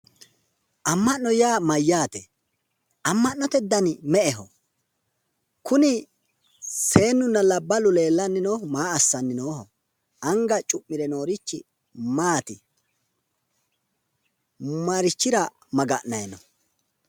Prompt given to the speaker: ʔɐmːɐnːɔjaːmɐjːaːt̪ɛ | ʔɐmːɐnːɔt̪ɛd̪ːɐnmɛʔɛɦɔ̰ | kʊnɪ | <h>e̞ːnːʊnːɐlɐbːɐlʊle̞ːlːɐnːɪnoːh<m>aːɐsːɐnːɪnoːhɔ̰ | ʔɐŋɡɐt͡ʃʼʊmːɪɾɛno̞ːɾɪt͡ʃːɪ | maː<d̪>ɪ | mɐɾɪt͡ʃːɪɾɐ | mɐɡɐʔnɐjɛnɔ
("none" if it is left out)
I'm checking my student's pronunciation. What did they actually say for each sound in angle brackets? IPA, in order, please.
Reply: s, m, t̪

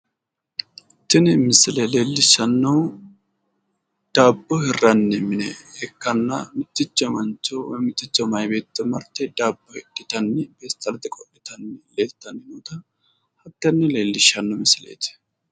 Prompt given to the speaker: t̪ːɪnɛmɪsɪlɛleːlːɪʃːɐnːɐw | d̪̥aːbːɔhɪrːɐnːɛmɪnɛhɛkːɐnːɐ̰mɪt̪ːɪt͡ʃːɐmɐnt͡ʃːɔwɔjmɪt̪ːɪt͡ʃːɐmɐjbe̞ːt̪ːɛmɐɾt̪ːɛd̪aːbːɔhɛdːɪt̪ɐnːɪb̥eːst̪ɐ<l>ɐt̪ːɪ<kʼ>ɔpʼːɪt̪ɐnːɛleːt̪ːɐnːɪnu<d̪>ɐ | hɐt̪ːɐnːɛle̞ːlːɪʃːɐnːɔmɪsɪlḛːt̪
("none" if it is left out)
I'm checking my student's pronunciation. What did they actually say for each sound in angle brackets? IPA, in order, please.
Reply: l, kʼ, t̪

